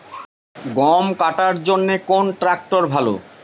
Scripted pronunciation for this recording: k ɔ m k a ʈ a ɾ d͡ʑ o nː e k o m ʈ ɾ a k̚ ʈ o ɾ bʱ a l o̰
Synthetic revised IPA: ɡ ɔ m k a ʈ a ɾ d͡ʑ o nː e k o n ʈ ɾ a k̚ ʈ o ɾ bʱ a l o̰